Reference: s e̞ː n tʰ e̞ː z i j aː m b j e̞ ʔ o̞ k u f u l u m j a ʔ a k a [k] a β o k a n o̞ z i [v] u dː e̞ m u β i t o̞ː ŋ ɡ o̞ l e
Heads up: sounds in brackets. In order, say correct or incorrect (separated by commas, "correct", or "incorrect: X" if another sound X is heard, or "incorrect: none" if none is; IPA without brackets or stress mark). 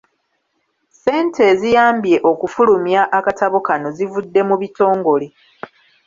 incorrect: t, correct